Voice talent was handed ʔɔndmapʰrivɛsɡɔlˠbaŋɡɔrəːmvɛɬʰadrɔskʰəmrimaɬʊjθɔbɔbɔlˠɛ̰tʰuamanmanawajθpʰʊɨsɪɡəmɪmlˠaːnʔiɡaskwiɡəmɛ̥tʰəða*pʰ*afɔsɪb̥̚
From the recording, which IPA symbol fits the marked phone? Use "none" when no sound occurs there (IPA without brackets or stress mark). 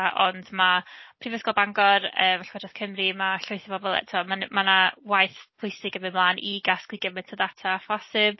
tʰ